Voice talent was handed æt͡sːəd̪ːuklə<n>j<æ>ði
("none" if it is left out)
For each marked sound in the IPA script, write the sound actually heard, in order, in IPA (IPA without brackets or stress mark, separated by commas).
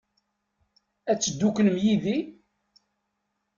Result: m, i